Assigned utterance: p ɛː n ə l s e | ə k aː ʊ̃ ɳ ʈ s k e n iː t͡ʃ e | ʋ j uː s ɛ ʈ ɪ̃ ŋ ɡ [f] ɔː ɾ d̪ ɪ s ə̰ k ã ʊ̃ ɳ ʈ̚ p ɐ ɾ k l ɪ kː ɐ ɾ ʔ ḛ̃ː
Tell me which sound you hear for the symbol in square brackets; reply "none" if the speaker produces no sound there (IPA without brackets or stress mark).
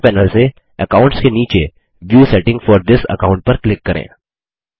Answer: f